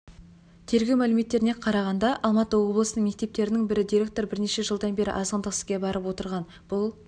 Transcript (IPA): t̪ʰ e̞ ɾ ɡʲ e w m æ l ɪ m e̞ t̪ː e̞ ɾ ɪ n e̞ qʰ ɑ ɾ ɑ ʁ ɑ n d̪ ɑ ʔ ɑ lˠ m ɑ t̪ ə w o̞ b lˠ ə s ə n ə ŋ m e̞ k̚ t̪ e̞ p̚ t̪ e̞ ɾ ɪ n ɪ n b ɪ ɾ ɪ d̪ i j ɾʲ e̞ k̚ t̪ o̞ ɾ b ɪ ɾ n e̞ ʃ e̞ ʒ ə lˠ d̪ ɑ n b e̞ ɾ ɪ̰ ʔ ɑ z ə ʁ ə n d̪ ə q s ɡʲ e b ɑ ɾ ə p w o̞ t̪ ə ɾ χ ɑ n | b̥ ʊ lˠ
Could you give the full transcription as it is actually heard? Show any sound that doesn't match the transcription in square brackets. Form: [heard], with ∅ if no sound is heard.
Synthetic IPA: t̪ʰ e̞ ɾ ɡʲ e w m æ l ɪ m e̞ t̪ː e̞ ɾ ɪ n e̞ qʰ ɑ ɾ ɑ ʁ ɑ n d̪ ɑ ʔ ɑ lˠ m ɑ t̪ ə w o̞ b lˠ ə s ə n ə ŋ m e̞ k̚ t̪ e̞ p̚ t̪ e̞ ɾ ɪ n ɪ [ŋ] b ɪ ɾ ɪ d̪ i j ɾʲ e̞ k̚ t̪ o̞ ɾ b ɪ ɾ n e̞ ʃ e̞ ʒ ə lˠ d̪ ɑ n b e̞ ɾ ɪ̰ ʔ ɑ z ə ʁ ə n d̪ ə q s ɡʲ e b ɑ ɾ ə p w o̞ t̪ ə ɾ [ʁ] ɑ n | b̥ ʊ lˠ